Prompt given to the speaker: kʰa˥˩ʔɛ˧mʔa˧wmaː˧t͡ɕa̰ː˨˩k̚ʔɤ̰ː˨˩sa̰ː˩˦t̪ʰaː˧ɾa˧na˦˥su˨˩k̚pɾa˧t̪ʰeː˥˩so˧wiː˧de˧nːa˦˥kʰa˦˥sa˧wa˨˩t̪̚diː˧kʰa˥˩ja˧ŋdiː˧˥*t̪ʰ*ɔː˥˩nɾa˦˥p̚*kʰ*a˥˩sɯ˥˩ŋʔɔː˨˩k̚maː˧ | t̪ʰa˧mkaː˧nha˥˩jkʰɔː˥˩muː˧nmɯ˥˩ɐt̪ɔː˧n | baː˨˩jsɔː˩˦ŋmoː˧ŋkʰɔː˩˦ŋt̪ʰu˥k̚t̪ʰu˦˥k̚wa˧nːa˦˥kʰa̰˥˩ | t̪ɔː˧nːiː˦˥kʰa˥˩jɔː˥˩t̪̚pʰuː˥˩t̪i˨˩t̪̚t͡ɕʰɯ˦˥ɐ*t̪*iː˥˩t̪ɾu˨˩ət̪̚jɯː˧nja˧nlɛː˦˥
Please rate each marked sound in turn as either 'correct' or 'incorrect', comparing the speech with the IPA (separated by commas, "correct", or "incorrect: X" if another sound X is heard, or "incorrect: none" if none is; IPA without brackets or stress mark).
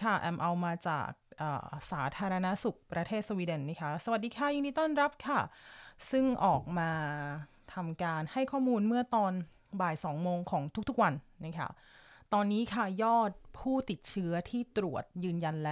incorrect: t̪, correct, incorrect: t̪ʰ